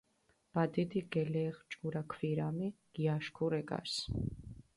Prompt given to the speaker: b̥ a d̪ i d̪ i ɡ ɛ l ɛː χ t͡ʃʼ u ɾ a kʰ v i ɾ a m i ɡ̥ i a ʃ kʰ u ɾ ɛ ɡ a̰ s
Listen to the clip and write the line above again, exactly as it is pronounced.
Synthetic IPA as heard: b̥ a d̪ i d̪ i ɡ ɛ l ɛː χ t͡ʃʼ u ɾ a kʰ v i ɾ a m i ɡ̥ i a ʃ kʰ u ɾ ɛ ɡ a̰ s